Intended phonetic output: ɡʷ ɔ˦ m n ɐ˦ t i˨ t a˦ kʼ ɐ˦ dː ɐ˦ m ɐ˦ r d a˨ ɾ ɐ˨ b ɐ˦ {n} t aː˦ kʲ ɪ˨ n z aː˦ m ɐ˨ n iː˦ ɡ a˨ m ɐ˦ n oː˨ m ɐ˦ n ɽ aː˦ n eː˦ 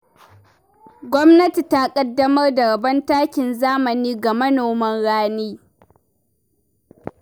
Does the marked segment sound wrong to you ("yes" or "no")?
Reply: no